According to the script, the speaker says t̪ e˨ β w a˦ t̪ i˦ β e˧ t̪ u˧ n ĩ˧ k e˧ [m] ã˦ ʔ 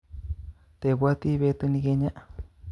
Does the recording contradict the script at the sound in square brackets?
yes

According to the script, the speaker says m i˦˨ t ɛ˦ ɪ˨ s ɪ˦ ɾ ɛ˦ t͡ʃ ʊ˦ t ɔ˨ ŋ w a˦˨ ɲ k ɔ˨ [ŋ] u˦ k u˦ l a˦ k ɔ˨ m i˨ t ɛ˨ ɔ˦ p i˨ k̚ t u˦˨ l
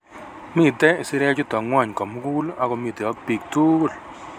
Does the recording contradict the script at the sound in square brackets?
yes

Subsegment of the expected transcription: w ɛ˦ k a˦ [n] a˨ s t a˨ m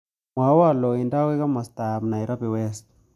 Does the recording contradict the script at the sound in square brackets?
yes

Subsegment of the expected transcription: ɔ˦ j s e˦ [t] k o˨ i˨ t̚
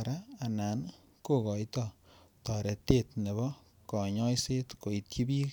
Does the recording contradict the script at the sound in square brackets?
no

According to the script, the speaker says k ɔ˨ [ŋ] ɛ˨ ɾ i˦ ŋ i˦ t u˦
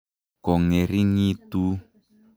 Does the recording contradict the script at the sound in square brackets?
no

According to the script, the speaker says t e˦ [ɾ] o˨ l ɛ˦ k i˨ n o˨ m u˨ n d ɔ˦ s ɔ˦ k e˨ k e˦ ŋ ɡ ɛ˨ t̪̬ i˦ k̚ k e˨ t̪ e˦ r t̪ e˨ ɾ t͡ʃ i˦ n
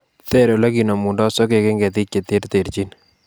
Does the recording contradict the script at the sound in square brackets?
no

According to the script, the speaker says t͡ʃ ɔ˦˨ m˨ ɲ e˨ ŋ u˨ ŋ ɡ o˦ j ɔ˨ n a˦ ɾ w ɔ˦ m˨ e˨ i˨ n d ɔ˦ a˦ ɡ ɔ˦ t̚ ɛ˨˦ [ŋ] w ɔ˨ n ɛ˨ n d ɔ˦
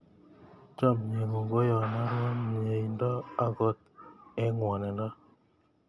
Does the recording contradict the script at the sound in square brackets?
no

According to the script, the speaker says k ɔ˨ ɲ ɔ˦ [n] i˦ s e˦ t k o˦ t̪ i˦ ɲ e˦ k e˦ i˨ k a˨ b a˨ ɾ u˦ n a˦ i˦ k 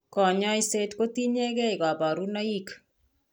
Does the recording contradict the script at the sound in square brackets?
yes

